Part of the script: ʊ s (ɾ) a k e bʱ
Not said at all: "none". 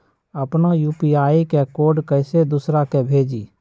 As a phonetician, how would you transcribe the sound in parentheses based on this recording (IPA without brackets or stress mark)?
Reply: ɾ